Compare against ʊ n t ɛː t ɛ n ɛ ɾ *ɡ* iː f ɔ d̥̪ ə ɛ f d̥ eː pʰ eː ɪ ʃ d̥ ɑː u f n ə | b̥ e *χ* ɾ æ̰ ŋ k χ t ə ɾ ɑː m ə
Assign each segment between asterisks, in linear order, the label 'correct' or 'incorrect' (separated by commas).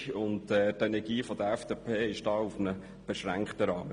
correct, incorrect